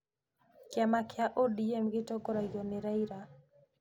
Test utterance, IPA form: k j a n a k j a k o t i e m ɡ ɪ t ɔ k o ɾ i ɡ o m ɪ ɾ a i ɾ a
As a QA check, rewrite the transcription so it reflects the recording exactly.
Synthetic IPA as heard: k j a m a k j a ʔ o d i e m ɡ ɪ t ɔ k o ɾ a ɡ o n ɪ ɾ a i ɾ a